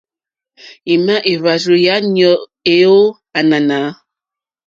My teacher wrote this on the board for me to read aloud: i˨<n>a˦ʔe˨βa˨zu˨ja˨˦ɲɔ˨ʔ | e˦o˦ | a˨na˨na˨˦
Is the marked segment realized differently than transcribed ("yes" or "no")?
yes